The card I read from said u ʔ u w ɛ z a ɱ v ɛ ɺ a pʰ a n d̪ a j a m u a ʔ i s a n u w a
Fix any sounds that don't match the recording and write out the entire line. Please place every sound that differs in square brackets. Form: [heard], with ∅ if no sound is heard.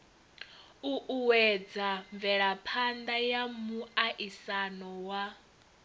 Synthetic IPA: u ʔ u w ɛ [d͡z] a ɱ v ɛ ɺ a pʰ a n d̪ a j a m u a ʔ i s a n [ɔ] w a